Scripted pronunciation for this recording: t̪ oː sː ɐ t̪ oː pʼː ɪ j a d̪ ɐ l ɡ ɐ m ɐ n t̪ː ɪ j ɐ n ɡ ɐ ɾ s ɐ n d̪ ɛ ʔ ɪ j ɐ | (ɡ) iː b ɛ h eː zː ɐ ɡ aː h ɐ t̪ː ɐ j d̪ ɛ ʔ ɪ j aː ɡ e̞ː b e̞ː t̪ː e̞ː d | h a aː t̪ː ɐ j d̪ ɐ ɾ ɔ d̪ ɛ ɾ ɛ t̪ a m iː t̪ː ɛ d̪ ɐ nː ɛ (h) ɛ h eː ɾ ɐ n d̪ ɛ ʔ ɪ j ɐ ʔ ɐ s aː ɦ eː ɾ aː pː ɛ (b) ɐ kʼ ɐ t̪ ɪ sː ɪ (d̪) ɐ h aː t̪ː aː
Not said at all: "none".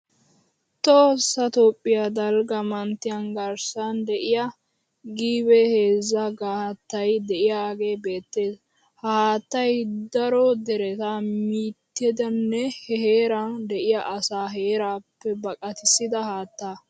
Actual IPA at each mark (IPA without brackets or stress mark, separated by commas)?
ɡ, h, b, d̪